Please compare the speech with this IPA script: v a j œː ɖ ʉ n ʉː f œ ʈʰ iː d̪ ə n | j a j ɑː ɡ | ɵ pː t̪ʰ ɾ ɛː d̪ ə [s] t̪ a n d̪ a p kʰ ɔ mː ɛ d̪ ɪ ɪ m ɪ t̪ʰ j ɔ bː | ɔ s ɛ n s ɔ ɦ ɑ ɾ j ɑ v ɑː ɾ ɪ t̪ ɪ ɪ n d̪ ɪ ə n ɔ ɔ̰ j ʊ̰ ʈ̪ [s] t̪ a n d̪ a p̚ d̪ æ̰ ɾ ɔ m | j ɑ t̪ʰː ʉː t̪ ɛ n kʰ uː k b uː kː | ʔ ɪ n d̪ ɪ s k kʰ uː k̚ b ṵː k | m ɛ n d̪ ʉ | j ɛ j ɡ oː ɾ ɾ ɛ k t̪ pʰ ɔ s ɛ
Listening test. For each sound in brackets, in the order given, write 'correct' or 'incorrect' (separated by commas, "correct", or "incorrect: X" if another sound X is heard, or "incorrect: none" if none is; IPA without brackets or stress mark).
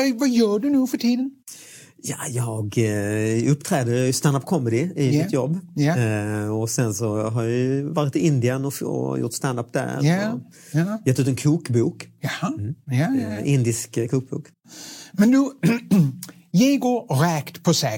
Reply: correct, correct